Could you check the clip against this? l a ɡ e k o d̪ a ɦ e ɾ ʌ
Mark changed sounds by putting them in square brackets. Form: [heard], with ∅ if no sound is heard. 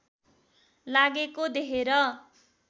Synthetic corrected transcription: l a ɡ e k o d̪ [e] ɦ e ɾ ʌ

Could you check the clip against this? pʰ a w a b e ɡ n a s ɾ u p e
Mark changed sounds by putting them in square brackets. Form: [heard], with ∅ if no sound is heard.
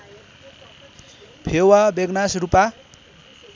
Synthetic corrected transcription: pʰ [e] w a b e ɡ n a s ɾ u p [a]

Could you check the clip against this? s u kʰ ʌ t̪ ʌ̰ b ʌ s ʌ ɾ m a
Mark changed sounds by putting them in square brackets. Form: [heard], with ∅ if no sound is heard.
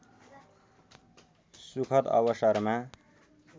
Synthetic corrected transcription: s u kʰ ʌ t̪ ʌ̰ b ʌ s ʌ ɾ m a

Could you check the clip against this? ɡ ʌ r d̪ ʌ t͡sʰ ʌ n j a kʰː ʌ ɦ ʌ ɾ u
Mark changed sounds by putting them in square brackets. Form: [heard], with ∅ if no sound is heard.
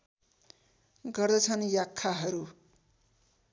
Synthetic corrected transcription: ɡ ʌ r d̪ ʌ t͡sʰ ʌ n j a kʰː [a] ɦ ʌ ɾ u

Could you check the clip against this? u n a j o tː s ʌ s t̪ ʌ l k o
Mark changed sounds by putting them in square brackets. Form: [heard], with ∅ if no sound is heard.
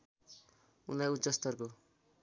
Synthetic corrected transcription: u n a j [u] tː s ʌ s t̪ ʌ [r] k o

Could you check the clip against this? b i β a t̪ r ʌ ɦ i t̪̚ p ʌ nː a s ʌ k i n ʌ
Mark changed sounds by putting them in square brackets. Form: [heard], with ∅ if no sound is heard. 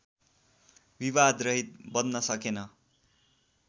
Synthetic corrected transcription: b i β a [d̪] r ʌ ɦ i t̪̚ [b] ʌ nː [ʌ] s ʌ k [e] n ʌ

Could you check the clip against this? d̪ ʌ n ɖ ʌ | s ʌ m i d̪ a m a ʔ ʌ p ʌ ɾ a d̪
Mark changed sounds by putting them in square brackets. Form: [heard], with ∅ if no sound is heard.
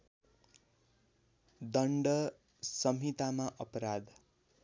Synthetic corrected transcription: d̪ ʌ [ɳ] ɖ ʌ | s ʌ m i [t̪] a m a ʔ ʌ p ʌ ɾ a d̪

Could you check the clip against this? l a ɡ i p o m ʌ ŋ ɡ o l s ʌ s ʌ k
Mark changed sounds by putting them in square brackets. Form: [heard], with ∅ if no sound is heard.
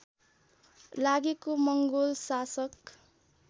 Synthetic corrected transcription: l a ɡ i [k] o m ʌ ŋ ɡ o l s [a] s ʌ k

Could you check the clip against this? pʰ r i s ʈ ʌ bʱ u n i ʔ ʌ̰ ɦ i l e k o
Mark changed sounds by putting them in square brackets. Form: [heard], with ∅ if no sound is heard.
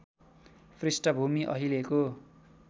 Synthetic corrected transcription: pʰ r i s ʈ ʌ bʱ u [m] i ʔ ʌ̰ ɦ i l e k o

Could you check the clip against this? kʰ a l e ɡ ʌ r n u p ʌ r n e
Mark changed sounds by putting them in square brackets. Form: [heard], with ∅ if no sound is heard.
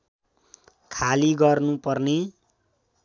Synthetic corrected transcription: kʰ a l [i] ɡ ʌ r n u p ʌ r n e

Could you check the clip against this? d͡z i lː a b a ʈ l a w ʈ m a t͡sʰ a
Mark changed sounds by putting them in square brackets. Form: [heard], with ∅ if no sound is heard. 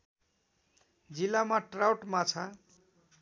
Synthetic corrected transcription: d͡z i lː a [m] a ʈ [r] a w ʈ m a t͡sʰ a

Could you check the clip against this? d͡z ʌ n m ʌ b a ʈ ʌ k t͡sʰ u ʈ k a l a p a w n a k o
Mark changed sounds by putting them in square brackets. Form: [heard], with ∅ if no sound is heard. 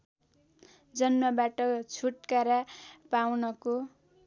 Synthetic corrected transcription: d͡z ʌ n m ʌ b a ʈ ʌ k t͡sʰ u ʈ k a [ɾ] a p a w n [ʌ] k o

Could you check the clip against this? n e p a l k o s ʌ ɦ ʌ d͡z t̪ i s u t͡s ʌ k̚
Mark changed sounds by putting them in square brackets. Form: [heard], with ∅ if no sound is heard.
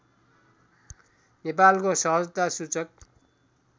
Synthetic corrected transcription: n e p a l k o s ʌ ɦ ʌ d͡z t̪ [a] s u t͡s ʌ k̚

